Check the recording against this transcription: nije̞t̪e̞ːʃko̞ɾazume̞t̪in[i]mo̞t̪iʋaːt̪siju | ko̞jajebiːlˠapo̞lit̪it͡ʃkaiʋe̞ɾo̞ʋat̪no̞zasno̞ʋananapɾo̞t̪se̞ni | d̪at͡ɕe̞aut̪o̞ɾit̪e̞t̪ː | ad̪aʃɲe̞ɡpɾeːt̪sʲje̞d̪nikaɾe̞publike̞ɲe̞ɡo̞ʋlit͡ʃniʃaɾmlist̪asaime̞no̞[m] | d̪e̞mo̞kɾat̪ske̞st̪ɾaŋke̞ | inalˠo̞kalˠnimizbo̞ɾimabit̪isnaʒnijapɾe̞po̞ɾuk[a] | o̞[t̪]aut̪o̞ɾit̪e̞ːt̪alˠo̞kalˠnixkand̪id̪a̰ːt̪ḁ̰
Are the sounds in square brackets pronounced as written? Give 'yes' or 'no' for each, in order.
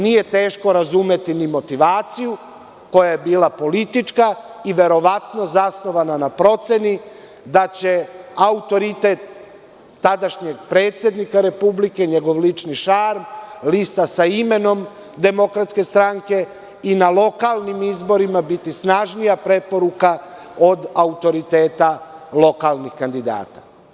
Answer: yes, yes, yes, no

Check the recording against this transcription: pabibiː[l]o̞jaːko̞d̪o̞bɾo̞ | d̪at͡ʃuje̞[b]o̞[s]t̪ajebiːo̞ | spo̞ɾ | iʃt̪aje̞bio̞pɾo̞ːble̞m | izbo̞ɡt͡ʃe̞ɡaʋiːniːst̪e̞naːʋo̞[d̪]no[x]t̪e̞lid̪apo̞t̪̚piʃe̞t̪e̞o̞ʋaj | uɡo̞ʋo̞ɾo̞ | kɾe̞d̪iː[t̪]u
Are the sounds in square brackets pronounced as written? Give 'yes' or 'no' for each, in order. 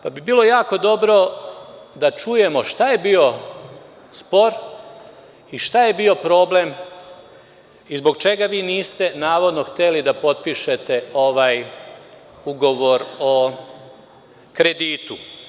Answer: yes, no, no, yes, yes, yes

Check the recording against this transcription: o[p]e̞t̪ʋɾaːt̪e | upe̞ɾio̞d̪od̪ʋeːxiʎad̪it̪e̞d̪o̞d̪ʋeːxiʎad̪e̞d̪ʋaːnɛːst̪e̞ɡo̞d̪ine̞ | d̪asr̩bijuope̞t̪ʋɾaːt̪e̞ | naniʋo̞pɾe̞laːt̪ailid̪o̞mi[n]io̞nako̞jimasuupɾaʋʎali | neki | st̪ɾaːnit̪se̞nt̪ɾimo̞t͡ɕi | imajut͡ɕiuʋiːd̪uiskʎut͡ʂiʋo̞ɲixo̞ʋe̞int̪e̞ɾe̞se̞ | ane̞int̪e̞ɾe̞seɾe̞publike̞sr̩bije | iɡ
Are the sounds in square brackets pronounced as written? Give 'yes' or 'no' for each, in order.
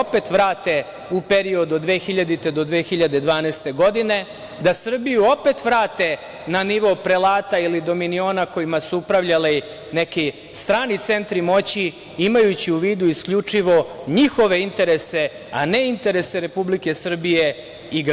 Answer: yes, yes

